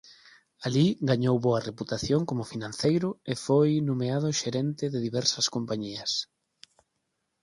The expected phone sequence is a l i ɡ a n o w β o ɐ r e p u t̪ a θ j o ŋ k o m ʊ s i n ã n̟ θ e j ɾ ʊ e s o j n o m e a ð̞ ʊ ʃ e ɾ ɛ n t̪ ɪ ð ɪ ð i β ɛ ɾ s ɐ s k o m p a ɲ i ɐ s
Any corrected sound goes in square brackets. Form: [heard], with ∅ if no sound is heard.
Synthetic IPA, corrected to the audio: a l i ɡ a [ɲ] o w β o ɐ r e p u t̪ a θ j o ŋ k o m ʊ [f] i n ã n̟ θ e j ɾ ʊ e [f] o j n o m e a ð̞ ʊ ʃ e ɾ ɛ n t̪ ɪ ð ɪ ð i β ɛ ɾ s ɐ s k o m p a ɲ i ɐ s